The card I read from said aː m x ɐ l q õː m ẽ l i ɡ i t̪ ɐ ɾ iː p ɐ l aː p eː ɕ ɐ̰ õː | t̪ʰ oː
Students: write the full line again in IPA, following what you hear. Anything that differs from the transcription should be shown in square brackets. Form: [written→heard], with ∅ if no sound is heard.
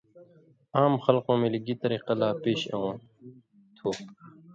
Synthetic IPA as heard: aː m x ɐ l q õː m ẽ l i ɡ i t̪ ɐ ɾ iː [p→q] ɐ l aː p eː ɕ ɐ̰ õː | t̪ʰ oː